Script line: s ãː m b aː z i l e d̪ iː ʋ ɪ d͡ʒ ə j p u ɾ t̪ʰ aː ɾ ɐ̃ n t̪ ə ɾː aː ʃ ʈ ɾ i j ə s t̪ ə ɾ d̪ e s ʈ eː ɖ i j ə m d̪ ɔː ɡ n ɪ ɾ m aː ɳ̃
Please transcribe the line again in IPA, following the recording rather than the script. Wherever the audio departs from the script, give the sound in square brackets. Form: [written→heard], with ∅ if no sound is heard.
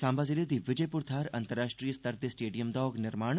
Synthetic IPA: s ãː m b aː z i l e d̪ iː ʋ ɪ d͡ʒ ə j p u ɾ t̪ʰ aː ɾ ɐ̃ n t̪ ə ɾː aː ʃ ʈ ɾ i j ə s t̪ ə ɾ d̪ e s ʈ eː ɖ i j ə m d̪ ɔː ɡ n ɪ ɾ m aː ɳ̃